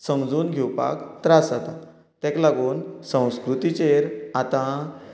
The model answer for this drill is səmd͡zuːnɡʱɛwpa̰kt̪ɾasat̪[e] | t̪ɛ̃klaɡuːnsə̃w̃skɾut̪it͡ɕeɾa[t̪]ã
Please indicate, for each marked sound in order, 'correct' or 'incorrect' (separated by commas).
incorrect, correct